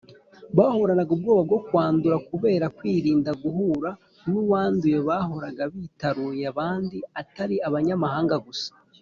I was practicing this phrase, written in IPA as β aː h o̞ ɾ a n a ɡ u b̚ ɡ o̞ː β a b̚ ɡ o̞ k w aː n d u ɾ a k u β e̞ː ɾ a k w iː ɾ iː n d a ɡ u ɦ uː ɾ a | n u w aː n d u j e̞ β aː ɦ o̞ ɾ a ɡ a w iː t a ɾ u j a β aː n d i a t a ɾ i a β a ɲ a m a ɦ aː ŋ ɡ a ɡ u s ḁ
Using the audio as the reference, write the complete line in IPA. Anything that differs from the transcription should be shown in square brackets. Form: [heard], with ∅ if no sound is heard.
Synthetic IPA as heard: β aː h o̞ ɾ a n a ɡ u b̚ ɡ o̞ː β a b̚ ɡ o̞ k w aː n d u ɾ a k u β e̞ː ɾ a k w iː ɾ iː n d a ɡ u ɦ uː ɾ a | n u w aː n d u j e̞ β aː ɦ o̞ ɾ a ɡ a [β] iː t a ɾ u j a β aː n d i a t a ɾ i a β a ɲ a m a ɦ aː ŋ ɡ a ɡ u s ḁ